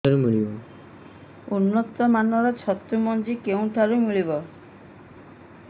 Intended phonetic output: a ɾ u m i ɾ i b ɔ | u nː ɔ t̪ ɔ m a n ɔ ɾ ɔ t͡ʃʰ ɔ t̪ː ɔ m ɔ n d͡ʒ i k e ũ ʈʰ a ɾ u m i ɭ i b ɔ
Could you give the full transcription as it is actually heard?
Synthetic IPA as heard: a ɾ u m i ɭ i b ɔ | u nː ɔ t̪ ɔ m a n ɔ ɾ ɔ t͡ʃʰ ɔ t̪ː u m ɔ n d͡ʒ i k e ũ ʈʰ a ɾ u m i ɭ i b ɔ